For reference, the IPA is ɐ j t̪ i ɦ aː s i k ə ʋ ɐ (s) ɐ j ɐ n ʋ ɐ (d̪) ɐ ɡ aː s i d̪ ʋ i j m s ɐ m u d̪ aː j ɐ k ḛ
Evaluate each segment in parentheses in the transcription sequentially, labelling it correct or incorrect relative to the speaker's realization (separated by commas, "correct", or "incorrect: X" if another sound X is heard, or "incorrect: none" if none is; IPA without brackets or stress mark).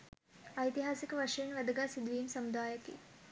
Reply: incorrect: ʂ, correct